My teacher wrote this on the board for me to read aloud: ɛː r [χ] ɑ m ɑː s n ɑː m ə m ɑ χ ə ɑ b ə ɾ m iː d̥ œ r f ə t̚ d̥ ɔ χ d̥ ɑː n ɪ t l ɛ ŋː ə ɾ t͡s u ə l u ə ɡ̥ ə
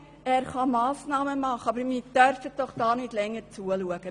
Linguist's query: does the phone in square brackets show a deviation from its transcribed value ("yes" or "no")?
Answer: no